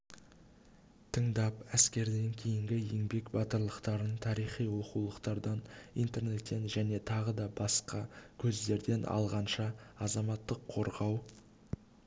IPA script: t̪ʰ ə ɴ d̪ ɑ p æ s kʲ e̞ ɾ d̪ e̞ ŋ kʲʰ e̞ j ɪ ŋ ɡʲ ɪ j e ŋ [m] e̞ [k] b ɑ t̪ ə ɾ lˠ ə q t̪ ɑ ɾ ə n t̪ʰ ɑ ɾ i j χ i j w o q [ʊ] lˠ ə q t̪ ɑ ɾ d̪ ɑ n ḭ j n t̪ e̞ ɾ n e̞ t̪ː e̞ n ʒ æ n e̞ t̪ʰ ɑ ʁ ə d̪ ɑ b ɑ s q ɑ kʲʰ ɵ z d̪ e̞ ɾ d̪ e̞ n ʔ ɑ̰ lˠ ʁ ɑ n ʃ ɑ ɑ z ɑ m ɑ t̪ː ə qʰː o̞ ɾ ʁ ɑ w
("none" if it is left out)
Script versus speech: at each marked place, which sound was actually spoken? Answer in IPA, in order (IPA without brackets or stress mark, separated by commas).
b, k, u